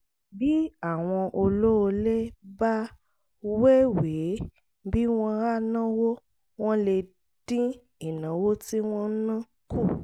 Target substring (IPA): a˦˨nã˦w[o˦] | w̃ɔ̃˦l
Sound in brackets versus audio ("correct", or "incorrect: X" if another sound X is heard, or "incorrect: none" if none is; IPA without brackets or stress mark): correct